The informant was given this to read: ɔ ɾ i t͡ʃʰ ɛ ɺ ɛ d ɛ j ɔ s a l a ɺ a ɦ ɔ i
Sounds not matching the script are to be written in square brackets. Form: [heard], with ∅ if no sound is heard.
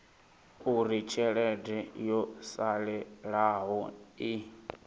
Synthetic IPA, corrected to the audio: [u] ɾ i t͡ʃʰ ɛ ɺ ɛ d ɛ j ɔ s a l [ɛ] ɺ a ɦ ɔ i